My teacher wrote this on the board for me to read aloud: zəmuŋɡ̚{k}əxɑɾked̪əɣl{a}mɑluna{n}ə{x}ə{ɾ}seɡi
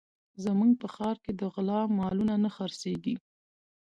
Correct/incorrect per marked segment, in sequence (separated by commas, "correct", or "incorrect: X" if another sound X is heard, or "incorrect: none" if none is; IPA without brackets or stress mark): incorrect: p, incorrect: ɑ, correct, correct, correct